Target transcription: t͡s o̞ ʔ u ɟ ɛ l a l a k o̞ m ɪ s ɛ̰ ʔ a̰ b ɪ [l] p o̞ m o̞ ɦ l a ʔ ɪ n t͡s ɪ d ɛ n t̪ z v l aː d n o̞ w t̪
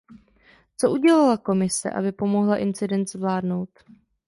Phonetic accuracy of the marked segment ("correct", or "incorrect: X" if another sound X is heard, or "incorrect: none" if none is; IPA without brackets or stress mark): incorrect: none